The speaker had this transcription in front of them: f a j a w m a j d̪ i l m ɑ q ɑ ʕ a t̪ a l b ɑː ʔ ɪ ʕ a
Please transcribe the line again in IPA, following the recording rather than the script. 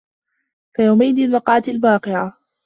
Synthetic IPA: f a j a w m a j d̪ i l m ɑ q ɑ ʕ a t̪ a l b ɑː q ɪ ʕ a